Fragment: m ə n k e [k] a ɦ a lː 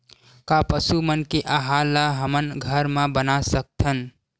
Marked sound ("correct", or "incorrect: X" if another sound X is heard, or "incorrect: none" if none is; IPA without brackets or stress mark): incorrect: ʔ